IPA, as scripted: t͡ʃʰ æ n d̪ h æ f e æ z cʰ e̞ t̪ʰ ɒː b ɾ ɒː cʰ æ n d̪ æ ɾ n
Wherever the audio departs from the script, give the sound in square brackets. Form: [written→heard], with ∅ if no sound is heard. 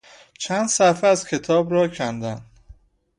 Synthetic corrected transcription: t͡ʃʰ æ n d̪ [h→s] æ f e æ z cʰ e̞ t̪ʰ ɒː b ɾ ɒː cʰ æ n d̪ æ [ɾ→∅] n